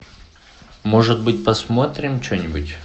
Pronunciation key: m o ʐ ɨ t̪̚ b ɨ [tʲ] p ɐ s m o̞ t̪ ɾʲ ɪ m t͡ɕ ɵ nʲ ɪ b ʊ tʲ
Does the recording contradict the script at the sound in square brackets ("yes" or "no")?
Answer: no